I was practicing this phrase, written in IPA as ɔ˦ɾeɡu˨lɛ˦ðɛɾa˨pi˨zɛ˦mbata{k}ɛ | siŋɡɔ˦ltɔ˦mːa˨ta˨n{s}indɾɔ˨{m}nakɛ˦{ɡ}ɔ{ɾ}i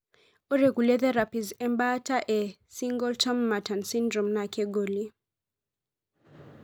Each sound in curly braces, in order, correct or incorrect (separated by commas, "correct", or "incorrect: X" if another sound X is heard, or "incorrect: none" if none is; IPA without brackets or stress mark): incorrect: ʔ, correct, correct, correct, incorrect: l